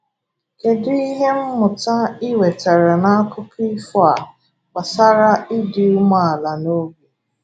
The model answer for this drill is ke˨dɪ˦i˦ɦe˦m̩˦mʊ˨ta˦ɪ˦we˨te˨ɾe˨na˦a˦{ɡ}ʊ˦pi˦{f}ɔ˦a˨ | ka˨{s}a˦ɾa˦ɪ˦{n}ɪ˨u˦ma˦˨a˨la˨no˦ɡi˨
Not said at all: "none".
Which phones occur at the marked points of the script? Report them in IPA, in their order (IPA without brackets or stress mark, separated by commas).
k, f, s, d